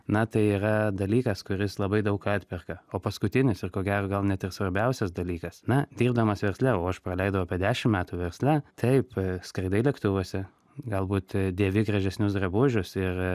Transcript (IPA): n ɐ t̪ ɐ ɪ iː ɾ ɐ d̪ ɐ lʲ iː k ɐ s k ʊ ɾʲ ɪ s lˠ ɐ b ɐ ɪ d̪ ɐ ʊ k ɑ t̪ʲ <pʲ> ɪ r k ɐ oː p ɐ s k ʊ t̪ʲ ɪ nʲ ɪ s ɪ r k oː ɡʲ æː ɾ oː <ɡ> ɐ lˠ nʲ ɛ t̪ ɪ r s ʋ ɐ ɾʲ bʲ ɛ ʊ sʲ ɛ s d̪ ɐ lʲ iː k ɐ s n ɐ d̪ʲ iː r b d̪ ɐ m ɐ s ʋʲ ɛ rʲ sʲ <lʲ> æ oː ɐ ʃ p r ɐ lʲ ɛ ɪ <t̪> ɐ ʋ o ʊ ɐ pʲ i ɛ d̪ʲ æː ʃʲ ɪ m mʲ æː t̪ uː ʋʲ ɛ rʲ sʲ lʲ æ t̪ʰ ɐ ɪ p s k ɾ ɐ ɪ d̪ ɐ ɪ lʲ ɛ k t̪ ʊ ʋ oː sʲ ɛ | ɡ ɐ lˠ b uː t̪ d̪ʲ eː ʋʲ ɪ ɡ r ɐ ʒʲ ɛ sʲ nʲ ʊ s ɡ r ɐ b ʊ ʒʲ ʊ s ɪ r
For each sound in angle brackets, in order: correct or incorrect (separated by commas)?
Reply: correct, correct, correct, incorrect